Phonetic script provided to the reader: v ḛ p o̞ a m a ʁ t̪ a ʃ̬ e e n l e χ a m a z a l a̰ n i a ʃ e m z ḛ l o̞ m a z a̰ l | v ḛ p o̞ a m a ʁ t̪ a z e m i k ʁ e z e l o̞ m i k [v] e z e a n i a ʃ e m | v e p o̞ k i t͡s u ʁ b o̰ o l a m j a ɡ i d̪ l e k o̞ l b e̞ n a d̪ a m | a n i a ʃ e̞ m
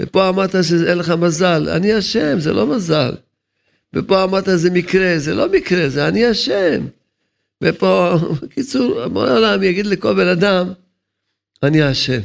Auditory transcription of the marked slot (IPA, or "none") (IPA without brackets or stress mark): ʁ